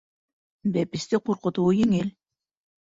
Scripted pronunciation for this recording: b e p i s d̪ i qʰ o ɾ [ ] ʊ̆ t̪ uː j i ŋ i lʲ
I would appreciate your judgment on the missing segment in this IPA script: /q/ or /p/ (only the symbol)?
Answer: q